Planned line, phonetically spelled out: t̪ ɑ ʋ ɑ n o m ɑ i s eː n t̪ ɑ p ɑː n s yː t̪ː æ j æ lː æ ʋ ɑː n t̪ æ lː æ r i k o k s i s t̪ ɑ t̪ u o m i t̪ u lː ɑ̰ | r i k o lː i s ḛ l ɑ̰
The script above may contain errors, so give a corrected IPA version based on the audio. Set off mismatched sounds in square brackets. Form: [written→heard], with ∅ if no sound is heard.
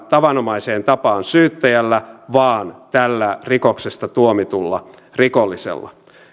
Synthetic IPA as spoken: t̪ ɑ ʋ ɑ n o m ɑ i s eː n t̪ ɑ p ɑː n s yː t̪ː æ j æ lː æ ʋ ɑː n t̪ æ lː æ r i k o k s [i→e] s t̪ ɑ t̪ u o m i t̪ u lː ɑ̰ | r i k o lː i s ḛ [l→lː] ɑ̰